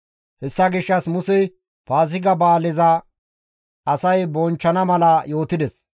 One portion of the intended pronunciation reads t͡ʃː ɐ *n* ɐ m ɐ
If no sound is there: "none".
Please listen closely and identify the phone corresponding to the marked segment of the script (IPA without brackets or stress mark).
n